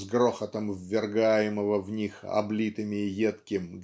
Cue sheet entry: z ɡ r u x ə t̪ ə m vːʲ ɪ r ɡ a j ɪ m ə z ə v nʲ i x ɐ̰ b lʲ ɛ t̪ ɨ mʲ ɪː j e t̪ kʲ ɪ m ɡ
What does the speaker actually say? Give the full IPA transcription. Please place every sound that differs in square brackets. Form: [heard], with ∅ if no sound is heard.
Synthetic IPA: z ɡ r [o] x ə t̪ ə m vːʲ ɪ r ɡ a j ɪ m ə [v] ə v nʲ i x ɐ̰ b lʲ [i] t̪ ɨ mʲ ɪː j e t̪ kʲ ɪ m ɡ